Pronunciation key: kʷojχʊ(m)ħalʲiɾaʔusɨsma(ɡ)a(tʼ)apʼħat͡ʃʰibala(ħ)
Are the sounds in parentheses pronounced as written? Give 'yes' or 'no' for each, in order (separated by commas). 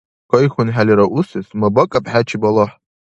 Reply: no, no, no, yes